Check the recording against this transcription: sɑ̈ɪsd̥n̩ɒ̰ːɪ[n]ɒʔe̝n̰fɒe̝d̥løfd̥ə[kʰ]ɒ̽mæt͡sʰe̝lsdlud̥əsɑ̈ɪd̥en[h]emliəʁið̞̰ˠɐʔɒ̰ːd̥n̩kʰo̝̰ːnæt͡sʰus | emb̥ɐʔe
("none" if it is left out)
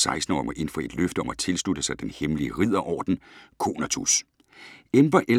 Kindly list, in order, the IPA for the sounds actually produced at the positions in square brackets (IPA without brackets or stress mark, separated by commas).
m, none, h